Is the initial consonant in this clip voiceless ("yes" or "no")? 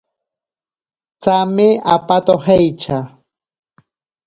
yes